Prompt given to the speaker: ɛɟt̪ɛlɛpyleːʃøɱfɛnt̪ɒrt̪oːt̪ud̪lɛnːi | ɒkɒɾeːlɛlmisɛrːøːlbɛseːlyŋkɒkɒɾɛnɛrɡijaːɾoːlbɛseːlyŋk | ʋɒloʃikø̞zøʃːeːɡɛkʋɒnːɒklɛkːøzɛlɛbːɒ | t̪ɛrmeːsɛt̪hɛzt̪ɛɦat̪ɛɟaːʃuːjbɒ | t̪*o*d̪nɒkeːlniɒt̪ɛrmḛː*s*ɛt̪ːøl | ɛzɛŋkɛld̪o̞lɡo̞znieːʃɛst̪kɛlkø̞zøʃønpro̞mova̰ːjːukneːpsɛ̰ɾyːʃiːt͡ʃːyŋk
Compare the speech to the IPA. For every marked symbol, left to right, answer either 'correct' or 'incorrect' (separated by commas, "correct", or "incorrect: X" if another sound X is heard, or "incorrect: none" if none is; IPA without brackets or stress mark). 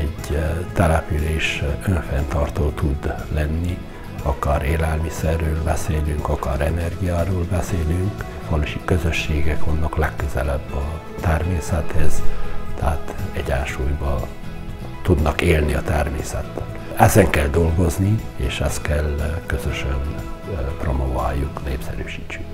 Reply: incorrect: u, correct